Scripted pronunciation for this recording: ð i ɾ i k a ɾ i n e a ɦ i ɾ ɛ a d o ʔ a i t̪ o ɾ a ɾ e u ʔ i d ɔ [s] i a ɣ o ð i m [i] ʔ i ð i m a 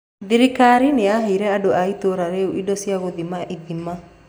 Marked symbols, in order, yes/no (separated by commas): yes, no